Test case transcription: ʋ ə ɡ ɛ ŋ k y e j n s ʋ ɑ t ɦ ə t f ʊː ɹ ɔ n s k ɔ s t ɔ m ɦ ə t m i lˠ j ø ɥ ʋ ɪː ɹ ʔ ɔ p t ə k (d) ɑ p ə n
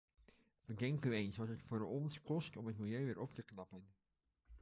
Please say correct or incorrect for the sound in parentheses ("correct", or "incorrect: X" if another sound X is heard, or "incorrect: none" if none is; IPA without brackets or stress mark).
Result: incorrect: n